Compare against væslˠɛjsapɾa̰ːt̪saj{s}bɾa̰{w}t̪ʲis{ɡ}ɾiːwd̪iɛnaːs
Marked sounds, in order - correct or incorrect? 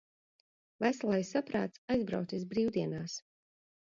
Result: incorrect: z, correct, incorrect: b

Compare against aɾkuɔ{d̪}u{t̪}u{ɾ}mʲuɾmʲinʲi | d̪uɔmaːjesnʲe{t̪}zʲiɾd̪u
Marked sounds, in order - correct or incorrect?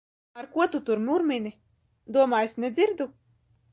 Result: incorrect: t̪, correct, correct, incorrect: d̪

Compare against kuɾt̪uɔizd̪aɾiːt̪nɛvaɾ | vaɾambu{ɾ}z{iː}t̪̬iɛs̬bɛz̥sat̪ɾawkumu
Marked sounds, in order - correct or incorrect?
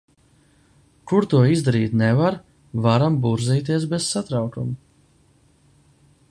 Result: correct, correct

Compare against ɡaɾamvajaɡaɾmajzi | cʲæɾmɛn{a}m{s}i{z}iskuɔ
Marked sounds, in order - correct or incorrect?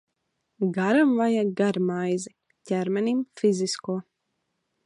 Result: incorrect: i, incorrect: f, correct

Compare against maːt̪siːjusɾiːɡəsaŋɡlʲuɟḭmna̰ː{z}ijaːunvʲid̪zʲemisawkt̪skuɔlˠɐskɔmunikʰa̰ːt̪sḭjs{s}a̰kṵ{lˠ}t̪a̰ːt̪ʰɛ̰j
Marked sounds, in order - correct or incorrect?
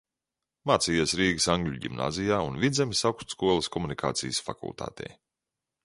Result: correct, incorrect: f, correct

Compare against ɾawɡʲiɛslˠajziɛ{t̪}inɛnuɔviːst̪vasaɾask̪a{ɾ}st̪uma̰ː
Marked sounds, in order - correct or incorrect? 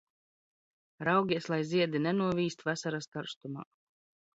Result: incorrect: d̪, correct

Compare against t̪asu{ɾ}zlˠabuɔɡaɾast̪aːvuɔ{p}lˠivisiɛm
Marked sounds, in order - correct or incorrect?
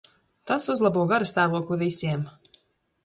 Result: incorrect: none, incorrect: k

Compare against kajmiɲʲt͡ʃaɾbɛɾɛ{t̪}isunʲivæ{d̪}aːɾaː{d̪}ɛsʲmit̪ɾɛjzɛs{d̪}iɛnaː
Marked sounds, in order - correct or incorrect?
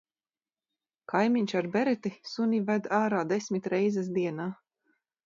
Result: correct, correct, correct, correct

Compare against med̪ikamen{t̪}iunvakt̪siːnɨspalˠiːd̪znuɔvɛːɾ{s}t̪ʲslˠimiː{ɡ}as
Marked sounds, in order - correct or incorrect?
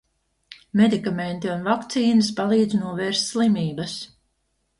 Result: correct, correct, incorrect: b

